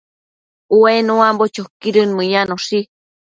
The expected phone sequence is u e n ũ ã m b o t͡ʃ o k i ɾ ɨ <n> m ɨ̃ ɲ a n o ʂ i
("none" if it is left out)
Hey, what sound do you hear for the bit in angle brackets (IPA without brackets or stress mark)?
n